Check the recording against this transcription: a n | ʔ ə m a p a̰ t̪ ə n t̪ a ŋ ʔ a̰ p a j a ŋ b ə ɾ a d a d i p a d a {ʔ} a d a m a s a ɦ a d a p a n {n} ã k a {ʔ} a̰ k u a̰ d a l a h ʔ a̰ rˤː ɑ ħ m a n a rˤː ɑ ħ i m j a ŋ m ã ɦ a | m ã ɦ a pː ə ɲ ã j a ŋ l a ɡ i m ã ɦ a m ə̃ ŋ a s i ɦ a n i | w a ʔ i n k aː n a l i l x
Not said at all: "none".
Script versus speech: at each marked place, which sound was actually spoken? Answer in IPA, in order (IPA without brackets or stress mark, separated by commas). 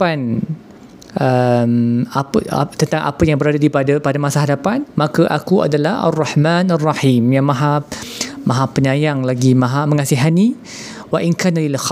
p, m, ʔ